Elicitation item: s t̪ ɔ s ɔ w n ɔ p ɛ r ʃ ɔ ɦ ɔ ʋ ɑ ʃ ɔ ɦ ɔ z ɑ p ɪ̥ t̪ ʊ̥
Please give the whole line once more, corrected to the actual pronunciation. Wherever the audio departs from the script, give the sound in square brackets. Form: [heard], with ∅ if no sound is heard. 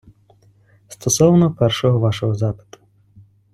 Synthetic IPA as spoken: s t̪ ɔ s ɔ w n ɔ p ɛ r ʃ ɔ ɦ ɔ ʋ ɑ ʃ ɔ ɦ ɔ z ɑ p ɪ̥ t̪ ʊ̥